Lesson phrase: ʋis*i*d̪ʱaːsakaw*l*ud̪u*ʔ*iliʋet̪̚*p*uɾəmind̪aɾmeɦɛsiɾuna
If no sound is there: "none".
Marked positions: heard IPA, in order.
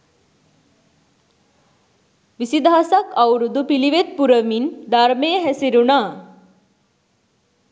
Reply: i, ɾ, p, p

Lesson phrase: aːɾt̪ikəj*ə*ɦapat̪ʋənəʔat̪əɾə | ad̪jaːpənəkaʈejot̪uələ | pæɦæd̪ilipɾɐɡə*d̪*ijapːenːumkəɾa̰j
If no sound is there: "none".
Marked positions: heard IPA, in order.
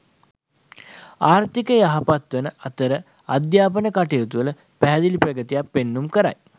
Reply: a, t̪

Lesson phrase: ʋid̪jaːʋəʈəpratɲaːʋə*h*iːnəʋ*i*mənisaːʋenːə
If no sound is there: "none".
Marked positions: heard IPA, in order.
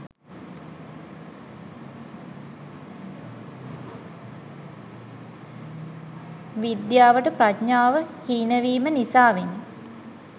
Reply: h, iː

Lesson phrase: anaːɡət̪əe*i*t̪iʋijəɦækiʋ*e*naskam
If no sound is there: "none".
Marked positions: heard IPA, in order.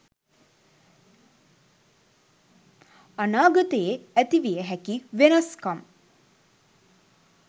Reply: æ, e

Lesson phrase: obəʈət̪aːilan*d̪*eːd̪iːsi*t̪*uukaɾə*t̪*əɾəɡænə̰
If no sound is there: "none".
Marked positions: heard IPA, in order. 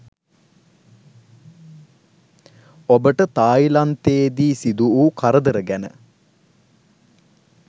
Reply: t̪, d̪, d̪

